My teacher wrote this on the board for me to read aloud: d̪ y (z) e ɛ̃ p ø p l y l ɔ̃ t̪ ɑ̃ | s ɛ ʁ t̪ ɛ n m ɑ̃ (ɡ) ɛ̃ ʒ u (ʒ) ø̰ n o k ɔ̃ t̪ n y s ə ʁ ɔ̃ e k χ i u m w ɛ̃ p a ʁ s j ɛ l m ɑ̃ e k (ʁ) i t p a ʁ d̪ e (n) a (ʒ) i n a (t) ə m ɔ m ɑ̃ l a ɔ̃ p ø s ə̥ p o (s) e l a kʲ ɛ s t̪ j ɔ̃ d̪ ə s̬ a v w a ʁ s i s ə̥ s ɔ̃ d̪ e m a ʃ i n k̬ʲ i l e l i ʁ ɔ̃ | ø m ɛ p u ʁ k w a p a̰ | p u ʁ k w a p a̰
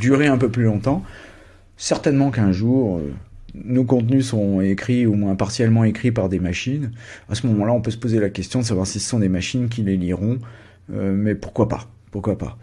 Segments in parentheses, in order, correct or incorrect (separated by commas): incorrect, incorrect, incorrect, incorrect, incorrect, incorrect, incorrect, incorrect